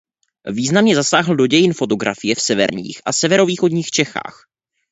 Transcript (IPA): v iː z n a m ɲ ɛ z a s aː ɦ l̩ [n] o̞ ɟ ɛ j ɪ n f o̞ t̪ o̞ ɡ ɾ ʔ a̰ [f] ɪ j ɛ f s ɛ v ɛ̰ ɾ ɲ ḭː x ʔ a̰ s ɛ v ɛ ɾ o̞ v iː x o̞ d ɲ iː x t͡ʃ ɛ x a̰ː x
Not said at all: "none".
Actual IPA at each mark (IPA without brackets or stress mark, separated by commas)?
d, f